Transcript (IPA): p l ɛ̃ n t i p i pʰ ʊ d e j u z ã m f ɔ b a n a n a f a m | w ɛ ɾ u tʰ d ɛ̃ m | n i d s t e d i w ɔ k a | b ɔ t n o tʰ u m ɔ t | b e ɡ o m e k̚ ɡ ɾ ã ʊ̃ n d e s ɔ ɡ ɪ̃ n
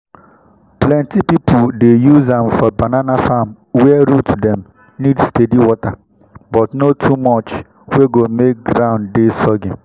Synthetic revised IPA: p l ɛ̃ n t i p i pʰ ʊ d e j u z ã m f ɔ b a n a n a f a m | w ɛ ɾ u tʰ d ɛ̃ m | n i d s t e d i w ɔ t a | b ɔ t n o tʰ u m ɔ t͡ʃ | w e ɡ o m e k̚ ɡ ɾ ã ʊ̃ n d e s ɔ ɡ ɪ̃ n

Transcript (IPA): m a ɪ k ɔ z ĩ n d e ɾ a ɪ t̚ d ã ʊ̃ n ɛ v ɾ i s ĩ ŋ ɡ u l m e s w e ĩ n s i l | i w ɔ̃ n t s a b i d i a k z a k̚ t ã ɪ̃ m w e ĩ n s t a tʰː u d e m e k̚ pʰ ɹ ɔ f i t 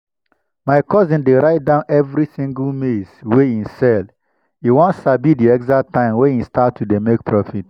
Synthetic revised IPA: m a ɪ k ɔ z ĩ n d e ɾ a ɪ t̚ d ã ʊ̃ n ɛ v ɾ i s ĩ ŋ ɡ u l m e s w e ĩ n s ɛ l | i w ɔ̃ n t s a b i d i ɛ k z a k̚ t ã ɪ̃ m w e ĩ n s t a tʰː u d e m e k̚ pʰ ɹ ɔ f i t

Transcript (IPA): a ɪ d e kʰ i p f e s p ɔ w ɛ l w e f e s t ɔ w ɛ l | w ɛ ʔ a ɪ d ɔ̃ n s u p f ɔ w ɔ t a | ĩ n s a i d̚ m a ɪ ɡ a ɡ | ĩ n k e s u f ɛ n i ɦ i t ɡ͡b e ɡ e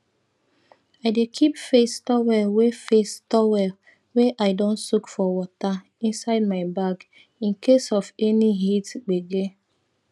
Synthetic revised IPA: a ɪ d e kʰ i p f e s t ɔ w ɛ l w e f e s t ɔ w ɛ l | w e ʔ a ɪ d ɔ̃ n s u k f ɔ w ɔ t a | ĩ n s a ɪ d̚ m a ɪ b a ɡ | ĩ n k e s ɔ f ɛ n i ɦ i t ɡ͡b e ɡ e

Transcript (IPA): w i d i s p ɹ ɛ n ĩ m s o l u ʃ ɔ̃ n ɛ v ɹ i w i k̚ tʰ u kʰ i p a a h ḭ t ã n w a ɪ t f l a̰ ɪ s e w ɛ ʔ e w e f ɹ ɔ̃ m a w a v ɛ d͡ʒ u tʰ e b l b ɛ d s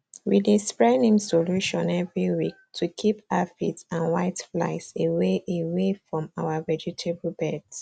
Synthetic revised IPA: w i d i s p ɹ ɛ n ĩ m s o l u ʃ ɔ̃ n ɛ v ɹ i w i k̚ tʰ u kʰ i p a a f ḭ t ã n w a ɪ t f l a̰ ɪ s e w e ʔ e w e f ɹ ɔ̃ m a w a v ɛ d͡ʒ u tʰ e b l b ɛ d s

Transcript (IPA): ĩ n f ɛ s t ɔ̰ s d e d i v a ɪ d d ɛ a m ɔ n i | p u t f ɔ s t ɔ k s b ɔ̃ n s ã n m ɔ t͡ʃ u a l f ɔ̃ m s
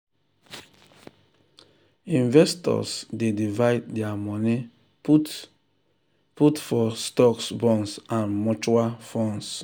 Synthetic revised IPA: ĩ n v ɛ s t ɔ̰ s d e d i v a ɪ d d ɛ a m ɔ n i | p u t f ɔ s t ɔ k s b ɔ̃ n s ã n m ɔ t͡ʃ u a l f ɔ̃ n s

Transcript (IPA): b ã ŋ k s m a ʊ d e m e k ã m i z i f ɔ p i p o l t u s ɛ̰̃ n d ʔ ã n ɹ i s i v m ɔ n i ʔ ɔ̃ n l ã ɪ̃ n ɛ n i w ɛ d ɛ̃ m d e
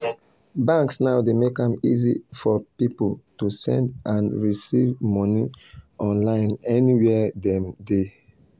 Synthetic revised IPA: b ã ŋ k s n a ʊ d e m e k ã m i z i f ɔ p i p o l t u s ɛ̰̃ n d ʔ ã n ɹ i s i v m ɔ n i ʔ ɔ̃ n l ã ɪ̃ n ɛ n i w ɛ d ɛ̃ m d e

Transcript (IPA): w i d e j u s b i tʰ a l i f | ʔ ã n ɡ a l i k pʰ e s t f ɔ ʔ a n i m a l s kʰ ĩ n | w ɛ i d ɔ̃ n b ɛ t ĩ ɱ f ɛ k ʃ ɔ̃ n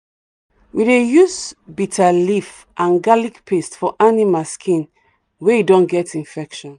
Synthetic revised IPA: w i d e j u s b i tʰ a l i f | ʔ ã n ɡ a l i k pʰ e s t f ɔ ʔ a n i m a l s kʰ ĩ n | w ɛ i d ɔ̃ n ɡ ɛ t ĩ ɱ f ɛ k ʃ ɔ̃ n

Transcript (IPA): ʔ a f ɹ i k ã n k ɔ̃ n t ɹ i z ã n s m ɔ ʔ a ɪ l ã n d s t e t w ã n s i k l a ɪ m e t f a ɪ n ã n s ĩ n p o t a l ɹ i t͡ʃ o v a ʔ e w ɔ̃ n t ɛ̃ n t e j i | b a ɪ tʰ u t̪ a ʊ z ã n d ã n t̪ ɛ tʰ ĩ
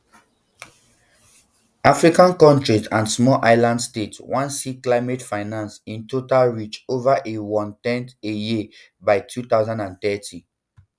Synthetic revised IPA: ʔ a f ɹ i k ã n k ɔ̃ n t ɹ i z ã n s m ɔ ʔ a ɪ l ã n d s t e t w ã n s i k l a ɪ m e t f a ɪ n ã n s ĩ n t o t a l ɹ i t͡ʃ o v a ʔ e w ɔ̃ n t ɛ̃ n t e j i | b a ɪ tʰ u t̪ a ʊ z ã n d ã n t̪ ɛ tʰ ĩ

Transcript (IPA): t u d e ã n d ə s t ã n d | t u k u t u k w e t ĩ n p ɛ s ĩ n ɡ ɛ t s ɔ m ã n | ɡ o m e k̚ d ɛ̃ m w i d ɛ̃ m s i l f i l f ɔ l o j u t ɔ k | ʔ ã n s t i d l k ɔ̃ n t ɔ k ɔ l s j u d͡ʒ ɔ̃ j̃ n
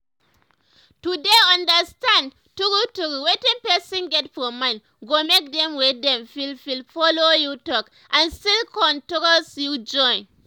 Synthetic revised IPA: t u d e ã n d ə s t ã n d | t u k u t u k w e t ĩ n p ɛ s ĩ n ɡ ɛ t f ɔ m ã n | ɡ o m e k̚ d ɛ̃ m w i d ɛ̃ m f i l f i l f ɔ l o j u t ɔ k | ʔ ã n s t i l k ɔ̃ n t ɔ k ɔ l s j u d͡ʒ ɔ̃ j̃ n

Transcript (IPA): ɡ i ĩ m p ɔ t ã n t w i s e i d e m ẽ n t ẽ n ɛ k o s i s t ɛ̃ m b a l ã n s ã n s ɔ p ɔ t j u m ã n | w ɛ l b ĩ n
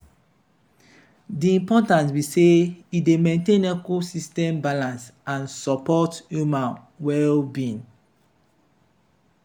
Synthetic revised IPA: d i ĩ m p ɔ t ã n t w i s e i d e m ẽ n t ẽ n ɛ k o s i s t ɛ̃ m b a l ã n s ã n s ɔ p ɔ t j u m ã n | w ɛ l b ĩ n

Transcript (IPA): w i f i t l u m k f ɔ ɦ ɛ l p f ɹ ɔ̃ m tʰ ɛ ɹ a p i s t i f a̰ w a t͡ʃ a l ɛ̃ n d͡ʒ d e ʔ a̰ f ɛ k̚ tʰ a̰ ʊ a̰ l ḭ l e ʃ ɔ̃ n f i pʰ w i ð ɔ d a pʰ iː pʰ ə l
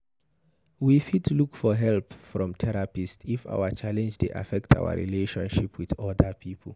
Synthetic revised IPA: w i f i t l u k f ɔ ɦ ɛ l p f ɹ ɔ̃ m tʰ ɛ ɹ a p i s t i f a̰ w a t͡ʃ a l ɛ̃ n d͡ʒ d e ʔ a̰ f ɛ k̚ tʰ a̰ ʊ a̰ ɹ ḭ l e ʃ ɔ̃ n ʃ i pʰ w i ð ɔ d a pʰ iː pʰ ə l

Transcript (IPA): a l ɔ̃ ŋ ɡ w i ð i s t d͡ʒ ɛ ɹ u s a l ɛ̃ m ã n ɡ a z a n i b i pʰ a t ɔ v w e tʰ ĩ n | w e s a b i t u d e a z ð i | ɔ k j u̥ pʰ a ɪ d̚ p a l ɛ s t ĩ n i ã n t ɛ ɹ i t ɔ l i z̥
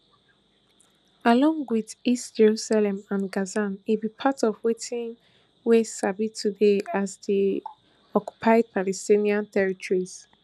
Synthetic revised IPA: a l ɔ̃ ŋ ɡ w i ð i s t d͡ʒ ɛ ɹ u s a l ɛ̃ m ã n ɡ a z a n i b i pʰ a t ɔ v w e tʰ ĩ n | w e s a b i t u d e a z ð i | ɔ k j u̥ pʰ a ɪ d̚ p a l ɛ s t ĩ n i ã n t ɛ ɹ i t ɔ ɹ i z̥

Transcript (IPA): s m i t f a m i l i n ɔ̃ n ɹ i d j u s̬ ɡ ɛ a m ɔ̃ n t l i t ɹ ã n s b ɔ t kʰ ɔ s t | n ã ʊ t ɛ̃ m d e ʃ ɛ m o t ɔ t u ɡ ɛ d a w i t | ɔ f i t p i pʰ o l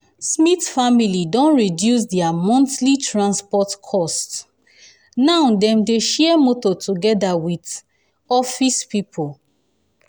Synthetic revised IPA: s m i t f a m i l i d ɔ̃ n ɹ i d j u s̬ d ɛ a m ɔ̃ n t l i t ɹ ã n s p ɔ t kʰ ɔ s t | n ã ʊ d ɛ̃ m d e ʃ ɛ m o t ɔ t u ɡ ɛ d a w i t | ɔ f i s p i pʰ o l

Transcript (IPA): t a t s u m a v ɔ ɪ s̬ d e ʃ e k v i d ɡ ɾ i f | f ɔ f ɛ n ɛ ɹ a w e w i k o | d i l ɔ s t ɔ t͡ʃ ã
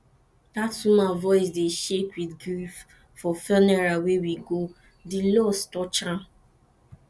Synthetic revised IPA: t a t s u m a v ɔ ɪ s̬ d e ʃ e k w i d ɡ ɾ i f | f ɔ f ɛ n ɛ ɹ a w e w i ɡ o | d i l ɔ s t ɔ t͡ʃ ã

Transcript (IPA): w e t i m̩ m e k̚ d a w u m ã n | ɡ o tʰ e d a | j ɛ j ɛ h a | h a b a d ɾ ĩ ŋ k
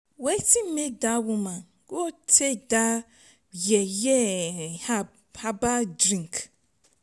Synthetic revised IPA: w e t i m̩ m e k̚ d a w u m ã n | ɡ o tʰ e d a | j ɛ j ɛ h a | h a b a d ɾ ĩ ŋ k

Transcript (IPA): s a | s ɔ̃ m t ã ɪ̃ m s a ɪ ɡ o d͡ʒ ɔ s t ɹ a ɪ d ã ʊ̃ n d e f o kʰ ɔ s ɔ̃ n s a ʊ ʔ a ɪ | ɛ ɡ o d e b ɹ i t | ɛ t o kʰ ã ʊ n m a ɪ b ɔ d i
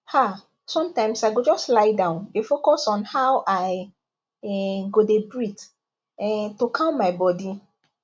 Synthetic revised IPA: h a | s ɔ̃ m t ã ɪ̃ m s a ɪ ɡ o d͡ʒ ɔ s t l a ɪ d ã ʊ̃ n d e f o k ɔ s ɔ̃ n h a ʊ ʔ a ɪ | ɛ ɡ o d e b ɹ i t | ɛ t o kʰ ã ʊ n m a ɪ b ɔ d i

